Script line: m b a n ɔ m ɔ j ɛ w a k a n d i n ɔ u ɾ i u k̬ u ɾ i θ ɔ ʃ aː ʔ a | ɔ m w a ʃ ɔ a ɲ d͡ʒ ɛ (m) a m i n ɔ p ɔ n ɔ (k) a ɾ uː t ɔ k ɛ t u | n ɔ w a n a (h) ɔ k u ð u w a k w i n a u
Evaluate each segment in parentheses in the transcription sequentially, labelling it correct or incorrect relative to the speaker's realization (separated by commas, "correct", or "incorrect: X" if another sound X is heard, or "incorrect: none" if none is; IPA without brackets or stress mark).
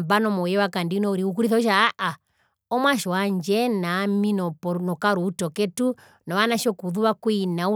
incorrect: n, correct, incorrect: ʃ